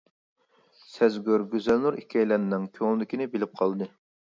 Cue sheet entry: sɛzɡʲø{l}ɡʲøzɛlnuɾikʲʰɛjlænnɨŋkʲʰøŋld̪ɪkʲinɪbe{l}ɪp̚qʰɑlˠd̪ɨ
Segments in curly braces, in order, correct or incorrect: incorrect: ɾ, correct

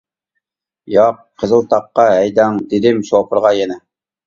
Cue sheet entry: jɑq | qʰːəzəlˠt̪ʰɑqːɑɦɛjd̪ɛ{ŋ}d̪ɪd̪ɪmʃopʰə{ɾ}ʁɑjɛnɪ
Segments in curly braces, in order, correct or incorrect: correct, correct

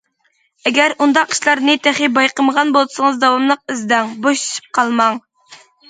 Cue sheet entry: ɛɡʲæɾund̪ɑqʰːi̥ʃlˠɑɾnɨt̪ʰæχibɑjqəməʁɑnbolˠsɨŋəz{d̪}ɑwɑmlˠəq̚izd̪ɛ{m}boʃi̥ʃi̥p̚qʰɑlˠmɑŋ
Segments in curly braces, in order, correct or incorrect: correct, incorrect: ŋ

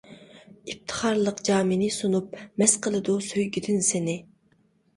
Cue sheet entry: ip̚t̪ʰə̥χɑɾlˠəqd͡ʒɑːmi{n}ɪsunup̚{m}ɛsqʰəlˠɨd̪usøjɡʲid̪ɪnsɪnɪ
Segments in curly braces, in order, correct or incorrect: correct, correct

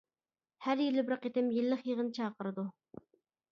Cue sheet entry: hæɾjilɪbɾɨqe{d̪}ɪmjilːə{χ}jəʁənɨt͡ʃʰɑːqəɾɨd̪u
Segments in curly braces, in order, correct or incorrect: incorrect: t̪, correct

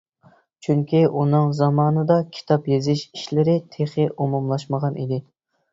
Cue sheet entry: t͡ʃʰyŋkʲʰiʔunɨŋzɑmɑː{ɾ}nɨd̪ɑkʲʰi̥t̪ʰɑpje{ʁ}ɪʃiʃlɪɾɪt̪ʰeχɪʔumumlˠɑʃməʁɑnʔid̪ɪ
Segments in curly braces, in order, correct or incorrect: incorrect: none, incorrect: z

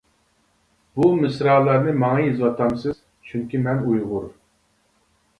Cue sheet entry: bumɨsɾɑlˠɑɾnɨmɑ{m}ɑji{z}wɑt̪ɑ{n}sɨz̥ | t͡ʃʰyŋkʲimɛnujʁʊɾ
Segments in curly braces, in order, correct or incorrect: incorrect: ŋ, correct, incorrect: m

